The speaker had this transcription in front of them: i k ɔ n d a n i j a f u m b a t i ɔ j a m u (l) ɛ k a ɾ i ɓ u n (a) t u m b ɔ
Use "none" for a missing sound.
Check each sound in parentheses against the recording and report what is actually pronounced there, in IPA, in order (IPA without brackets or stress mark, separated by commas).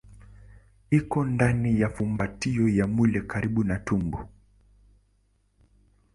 l, a